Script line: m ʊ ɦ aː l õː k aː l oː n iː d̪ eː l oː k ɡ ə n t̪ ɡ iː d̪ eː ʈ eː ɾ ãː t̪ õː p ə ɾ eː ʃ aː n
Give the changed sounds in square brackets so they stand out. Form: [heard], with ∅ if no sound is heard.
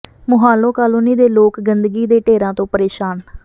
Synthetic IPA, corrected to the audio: m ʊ ɦ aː l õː k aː l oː n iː d̪ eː l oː k ɡ ə n [d̪] ɡ iː d̪ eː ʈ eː ɾ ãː t̪ õː p ə ɾ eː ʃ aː n